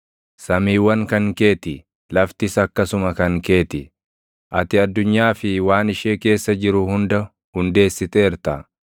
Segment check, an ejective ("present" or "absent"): absent